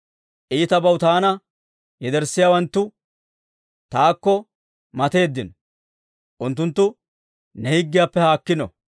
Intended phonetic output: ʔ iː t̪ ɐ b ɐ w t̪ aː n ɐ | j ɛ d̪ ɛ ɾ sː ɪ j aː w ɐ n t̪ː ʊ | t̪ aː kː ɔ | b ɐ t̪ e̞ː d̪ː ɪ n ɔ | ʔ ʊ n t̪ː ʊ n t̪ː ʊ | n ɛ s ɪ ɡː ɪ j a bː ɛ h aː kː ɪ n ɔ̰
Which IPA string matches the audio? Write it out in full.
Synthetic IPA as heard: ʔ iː t̪ ɐ b ɐ w t̪ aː n ɐ | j ɛ d̪ ɛ ɾ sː ɪ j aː w ɐ n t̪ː ʊ | t̪ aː kː ɔ | m ɐ t̪ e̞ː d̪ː ɪ n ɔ | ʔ ʊ n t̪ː ʊ n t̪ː ʊ | n ɛ h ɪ ɡː ɪ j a pː ɛ h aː kː ɪ n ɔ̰